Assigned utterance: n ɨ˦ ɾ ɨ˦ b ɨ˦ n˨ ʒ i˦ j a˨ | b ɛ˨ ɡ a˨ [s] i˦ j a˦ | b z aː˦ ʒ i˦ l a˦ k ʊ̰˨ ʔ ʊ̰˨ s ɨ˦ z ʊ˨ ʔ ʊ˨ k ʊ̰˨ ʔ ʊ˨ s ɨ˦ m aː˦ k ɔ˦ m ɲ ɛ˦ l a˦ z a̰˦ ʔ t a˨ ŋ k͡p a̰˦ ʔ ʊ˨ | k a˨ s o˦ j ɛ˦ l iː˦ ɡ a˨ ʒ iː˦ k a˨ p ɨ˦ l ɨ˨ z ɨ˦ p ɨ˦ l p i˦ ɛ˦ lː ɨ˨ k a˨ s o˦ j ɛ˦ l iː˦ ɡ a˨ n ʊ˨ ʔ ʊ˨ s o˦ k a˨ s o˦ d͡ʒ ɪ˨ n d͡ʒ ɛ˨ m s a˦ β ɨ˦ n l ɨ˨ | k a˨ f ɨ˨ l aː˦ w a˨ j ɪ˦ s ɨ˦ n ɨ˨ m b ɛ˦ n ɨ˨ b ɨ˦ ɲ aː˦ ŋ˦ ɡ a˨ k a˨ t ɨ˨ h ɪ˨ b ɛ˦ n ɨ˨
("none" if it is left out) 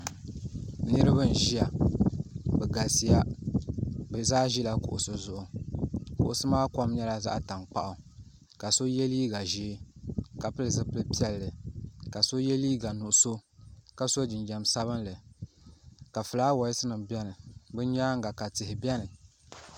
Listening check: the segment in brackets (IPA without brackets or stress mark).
s